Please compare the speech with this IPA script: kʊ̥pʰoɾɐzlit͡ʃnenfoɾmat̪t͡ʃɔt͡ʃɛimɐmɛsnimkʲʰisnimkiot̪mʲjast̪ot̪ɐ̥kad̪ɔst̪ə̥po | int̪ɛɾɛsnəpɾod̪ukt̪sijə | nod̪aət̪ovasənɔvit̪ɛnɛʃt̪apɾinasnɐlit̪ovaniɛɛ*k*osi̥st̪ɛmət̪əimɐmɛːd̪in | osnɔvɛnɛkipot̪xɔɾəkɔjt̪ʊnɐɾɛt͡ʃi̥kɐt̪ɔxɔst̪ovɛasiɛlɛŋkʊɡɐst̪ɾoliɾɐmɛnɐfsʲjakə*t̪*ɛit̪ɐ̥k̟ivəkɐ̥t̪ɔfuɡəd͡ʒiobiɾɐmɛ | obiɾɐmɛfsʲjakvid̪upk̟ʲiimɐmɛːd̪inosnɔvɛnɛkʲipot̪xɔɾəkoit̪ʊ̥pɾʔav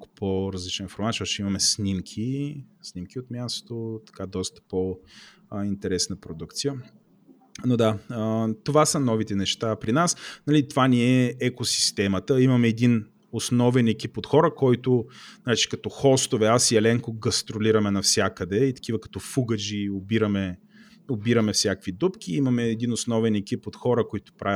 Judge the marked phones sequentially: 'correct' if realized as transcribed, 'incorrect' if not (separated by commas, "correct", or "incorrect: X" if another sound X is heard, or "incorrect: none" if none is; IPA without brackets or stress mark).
correct, incorrect: d̪